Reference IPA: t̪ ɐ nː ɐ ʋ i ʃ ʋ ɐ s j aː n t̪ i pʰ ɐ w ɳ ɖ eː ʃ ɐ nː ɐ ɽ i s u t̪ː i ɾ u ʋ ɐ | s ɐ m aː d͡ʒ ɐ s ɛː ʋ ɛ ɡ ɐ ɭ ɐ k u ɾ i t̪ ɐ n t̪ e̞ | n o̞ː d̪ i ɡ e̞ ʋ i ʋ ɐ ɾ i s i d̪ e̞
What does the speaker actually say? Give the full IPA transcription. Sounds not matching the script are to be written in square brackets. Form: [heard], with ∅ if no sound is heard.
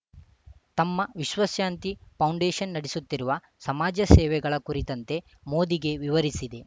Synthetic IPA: t̪ ɐ [mː] ɐ ʋ i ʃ ʋ ɐ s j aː n t̪ i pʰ ɐ w ɳ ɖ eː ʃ ɐ nː ɐ ɽ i s u t̪ː i ɾ u ʋ ɐ | s ɐ m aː d͡ʒ ɐ s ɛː ʋ ɛ ɡ ɐ ɭ ɐ k u ɾ i t̪ ɐ n t̪ e̞ | [m] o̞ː d̪ i ɡ e̞ ʋ i ʋ ɐ ɾ i s i d̪ e̞